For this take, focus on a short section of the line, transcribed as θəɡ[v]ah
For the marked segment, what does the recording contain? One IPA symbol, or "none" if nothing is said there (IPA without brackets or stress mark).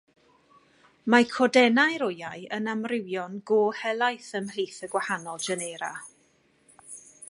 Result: w